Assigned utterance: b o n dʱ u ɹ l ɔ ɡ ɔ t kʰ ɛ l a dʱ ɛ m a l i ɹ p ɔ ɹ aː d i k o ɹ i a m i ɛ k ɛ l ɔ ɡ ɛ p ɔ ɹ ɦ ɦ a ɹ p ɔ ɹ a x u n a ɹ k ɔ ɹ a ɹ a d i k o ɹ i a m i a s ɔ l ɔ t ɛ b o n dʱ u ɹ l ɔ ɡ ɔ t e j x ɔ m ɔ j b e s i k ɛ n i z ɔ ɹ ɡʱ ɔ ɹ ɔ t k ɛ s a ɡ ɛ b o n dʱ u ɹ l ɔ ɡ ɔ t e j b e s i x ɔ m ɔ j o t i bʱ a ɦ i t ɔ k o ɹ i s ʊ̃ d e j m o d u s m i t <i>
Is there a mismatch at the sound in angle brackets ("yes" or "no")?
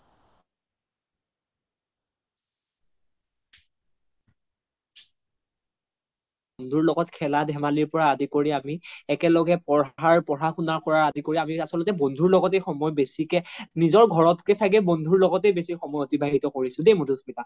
yes